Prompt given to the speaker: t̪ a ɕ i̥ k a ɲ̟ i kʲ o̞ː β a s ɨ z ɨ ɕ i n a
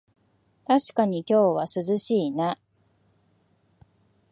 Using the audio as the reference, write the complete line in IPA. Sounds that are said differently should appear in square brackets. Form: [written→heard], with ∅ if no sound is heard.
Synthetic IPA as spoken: t̪ a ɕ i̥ k a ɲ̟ i kʲ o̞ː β a s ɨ z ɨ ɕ [i→iː] n a